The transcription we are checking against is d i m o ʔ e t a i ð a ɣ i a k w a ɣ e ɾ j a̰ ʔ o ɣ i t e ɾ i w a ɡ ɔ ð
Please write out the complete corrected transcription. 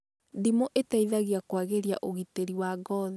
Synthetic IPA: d i m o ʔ e t a i ð a ɣ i a k w a ɣ e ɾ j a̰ ʔ o ɣ i t e ɾ i w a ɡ ɔ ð